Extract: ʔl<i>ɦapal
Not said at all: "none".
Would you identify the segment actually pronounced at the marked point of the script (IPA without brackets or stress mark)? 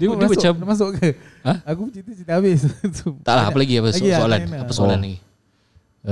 a